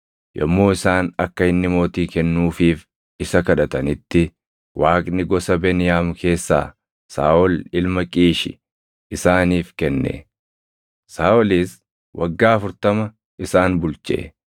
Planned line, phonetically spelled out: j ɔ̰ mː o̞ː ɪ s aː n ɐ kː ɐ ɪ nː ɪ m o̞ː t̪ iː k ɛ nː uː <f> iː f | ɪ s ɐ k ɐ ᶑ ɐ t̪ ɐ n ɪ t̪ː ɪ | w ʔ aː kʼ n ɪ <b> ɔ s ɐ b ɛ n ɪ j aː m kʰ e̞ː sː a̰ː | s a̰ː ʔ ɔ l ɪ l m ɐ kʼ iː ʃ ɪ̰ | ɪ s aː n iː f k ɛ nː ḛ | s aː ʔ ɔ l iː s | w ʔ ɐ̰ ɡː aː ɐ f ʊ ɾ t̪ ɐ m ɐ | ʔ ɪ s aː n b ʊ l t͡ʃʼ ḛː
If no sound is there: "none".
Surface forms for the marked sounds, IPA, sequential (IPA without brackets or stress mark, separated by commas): f, ɡ